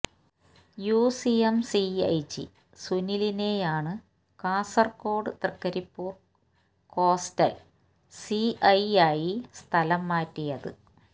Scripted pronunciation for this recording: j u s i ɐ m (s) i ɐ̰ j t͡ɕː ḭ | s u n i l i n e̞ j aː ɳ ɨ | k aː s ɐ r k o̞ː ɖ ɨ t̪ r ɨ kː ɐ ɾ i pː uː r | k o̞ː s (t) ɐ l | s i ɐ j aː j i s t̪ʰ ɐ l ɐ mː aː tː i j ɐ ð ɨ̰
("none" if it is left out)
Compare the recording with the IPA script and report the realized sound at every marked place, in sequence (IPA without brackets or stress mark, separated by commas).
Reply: s, t